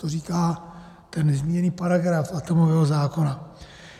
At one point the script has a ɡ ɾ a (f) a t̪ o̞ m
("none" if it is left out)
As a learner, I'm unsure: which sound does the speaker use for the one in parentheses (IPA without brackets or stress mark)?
f